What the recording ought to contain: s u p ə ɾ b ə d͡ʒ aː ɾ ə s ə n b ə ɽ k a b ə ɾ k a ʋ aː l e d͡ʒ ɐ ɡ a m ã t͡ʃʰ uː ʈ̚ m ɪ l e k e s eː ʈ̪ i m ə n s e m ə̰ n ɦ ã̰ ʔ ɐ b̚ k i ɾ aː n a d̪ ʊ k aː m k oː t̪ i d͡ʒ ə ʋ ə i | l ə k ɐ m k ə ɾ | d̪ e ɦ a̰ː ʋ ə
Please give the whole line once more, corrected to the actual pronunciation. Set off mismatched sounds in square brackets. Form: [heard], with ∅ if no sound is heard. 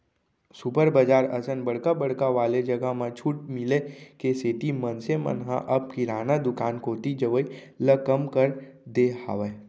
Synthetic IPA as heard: s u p ə ɾ b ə d͡ʒ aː ɾ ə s ə n b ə ɽ k a b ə [ɽ] k a ʋ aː l e d͡ʒ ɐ ɡ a m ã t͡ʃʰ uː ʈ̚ m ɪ l e k e s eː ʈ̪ i m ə n s e m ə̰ n ɦ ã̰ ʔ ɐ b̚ k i ɾ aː n a d̪ ʊ k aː [n] k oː t̪ i d͡ʒ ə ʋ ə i | l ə k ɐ m k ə ɾ | d̪ e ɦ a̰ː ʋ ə